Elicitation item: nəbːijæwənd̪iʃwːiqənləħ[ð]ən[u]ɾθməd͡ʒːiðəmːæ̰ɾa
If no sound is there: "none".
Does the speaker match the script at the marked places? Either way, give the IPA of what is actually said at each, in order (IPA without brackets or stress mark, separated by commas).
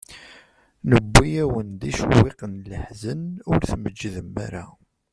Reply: z, ʊ